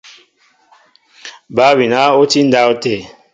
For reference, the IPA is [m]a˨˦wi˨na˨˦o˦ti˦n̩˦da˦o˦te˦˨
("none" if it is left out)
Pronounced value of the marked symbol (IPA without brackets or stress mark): b